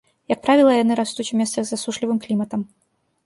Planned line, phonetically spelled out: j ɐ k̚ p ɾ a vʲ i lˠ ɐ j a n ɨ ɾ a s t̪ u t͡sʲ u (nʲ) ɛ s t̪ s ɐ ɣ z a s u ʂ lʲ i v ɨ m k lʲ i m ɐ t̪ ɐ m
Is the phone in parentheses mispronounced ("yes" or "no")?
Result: yes